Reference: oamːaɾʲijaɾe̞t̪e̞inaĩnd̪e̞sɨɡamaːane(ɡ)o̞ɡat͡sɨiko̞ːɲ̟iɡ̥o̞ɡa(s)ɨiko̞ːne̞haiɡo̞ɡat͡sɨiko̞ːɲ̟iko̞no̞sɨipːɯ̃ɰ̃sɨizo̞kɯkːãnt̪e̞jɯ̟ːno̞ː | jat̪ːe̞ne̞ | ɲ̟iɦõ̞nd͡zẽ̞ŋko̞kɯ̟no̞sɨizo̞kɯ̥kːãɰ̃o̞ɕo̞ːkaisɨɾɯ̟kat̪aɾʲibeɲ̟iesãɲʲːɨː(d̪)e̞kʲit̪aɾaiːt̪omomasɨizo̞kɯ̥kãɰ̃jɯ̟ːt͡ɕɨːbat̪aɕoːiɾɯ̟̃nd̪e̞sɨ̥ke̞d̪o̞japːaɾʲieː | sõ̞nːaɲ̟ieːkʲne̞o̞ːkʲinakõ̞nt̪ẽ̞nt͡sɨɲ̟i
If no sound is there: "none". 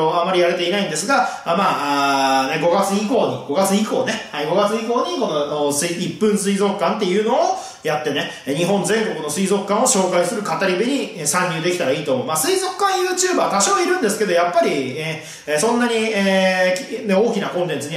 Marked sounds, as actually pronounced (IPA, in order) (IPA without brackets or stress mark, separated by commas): ɡ, t͡s, d̪